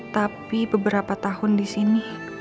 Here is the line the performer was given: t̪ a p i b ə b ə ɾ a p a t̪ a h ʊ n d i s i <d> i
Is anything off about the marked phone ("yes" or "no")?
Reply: yes